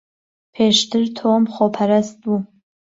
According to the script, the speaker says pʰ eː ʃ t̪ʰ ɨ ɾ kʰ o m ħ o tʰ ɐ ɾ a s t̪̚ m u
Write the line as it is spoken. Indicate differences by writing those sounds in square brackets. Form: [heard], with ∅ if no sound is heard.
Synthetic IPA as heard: pʰ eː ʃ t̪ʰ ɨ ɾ [tʰ] o m [χ] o [pʰ] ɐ ɾ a s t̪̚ [b] u